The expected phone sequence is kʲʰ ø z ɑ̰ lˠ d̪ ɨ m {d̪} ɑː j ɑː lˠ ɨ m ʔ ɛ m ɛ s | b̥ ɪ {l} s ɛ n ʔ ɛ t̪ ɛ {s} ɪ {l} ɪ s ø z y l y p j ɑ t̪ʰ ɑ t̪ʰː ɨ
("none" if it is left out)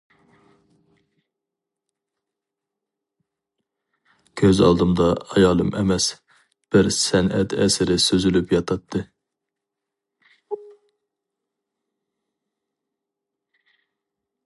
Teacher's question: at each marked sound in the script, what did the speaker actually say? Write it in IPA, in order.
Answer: d̪, ɾ, s, ɾ

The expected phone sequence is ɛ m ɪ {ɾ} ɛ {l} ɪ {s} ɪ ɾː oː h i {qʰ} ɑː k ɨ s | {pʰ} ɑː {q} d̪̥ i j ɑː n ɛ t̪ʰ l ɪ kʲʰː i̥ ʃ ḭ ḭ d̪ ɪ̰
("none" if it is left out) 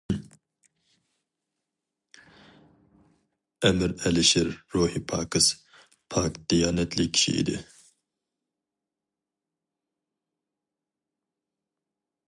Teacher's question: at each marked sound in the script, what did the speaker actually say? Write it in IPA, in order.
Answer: ɾ, l, ʃ, pʰ, pʰ, k

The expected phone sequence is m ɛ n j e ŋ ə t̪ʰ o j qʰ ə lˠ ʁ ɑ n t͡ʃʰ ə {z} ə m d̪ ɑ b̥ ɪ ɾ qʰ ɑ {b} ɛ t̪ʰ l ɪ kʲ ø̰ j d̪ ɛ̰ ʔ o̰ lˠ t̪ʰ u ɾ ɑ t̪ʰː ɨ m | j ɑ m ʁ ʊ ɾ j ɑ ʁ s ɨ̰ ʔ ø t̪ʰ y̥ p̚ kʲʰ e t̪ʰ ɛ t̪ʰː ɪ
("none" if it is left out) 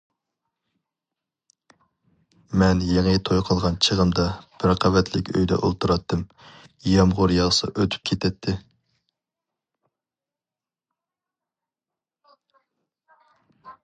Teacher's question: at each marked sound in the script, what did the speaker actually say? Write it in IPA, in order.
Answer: ʁ, v

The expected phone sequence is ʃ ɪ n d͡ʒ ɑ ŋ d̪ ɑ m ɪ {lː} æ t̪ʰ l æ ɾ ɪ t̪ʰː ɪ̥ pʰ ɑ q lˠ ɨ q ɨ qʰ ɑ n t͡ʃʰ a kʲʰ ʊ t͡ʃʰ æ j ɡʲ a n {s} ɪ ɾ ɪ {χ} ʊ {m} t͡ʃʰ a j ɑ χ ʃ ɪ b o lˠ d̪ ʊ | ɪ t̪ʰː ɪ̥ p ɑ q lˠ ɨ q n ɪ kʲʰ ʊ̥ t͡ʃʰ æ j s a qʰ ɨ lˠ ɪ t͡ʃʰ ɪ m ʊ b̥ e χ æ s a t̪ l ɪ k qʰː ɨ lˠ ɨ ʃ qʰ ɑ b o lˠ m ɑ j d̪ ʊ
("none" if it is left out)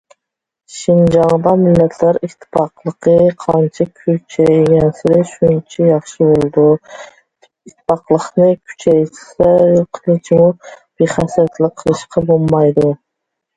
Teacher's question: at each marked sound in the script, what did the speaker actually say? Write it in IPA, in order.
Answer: lː, s, ʃ, n

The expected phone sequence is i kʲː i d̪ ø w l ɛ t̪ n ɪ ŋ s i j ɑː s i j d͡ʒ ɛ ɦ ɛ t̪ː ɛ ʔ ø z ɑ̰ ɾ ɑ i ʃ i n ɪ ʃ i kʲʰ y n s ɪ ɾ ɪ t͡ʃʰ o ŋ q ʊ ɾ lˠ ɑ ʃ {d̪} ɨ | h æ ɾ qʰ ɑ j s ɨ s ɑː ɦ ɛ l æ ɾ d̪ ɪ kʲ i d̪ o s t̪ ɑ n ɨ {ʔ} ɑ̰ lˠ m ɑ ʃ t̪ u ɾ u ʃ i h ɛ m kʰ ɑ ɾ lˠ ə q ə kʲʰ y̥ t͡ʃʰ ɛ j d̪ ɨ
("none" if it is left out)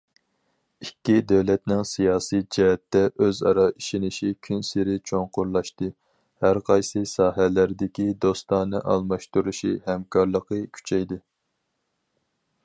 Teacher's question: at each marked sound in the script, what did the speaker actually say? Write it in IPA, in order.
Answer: t̪, ʔ

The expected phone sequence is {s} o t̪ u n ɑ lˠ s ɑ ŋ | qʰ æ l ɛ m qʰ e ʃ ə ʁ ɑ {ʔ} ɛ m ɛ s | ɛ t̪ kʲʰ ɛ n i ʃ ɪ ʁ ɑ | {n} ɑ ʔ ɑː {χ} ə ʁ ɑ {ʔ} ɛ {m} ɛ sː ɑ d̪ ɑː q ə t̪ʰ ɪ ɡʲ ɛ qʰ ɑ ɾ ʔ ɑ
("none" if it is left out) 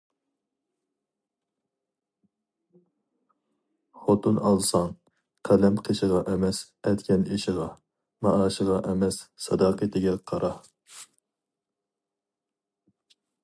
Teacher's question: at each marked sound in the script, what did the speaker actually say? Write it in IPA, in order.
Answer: χ, ʔ, m, ʃ, ʔ, m

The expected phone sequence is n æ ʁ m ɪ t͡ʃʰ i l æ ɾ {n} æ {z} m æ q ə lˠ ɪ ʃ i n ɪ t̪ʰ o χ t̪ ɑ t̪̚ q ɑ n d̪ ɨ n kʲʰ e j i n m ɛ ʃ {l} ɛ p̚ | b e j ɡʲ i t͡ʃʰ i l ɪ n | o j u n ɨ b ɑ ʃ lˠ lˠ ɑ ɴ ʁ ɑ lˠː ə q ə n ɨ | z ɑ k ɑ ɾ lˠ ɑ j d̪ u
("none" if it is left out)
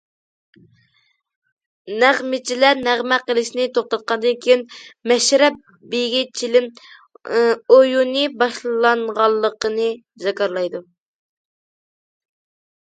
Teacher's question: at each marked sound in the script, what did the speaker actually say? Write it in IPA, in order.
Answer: n, ʁ, ɾ

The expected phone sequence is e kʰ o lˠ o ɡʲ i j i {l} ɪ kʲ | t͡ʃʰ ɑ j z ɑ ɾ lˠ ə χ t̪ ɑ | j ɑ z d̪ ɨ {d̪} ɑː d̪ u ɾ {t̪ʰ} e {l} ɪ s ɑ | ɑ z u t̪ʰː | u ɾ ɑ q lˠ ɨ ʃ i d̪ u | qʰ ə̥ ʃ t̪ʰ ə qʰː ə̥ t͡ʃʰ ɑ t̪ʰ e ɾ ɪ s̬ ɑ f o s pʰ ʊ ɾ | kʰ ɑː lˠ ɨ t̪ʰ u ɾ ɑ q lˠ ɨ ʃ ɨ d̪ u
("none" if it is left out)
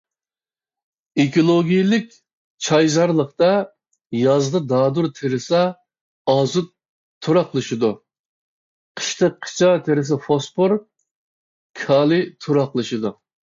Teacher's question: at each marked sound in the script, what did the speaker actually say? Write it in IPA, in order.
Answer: l, d̪, t̪ʰ, ɾ

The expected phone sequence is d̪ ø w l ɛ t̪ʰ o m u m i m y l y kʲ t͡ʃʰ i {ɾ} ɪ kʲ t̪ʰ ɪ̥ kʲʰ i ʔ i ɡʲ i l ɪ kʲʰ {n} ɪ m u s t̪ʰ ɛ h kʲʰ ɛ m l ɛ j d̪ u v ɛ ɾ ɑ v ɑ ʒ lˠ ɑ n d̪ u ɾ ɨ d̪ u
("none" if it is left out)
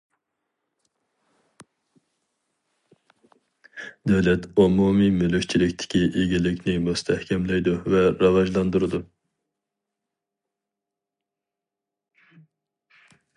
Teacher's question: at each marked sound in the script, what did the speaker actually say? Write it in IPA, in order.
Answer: l, n

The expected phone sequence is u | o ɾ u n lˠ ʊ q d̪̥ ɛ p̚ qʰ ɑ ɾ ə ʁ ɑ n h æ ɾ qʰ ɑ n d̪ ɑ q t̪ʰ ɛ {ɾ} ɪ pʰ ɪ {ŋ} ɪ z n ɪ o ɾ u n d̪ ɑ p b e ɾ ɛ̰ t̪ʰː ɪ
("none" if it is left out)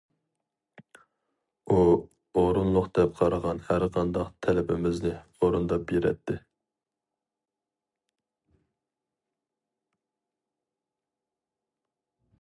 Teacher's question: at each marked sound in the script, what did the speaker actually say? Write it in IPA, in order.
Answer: l, m

